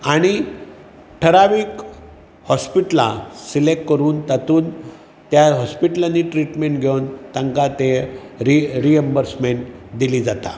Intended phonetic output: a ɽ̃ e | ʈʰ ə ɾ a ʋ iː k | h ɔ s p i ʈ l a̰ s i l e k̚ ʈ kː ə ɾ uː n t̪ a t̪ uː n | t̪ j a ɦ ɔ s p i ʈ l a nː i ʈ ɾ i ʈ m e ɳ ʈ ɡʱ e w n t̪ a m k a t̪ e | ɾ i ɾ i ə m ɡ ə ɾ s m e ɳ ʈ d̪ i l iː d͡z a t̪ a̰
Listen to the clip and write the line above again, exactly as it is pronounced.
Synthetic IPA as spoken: a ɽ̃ i | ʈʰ ə ɾ a ʋ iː k | h ɔ s p i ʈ l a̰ s i l e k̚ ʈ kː ə ɾ uː n t̪ a t̪ uː n | t̪ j a ɦ ɔ s p i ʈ l a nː i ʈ ɾ i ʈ m e ɳ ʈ ɡʱ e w n t̪ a ŋ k a t̪ e | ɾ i ɾ i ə m b ə ɾ s m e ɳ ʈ d̪ i l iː d͡z a t̪ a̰